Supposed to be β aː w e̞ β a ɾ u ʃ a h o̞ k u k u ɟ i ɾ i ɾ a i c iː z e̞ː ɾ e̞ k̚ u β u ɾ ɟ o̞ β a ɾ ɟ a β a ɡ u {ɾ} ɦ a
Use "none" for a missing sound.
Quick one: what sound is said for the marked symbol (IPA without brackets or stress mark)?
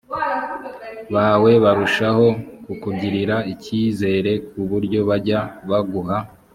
none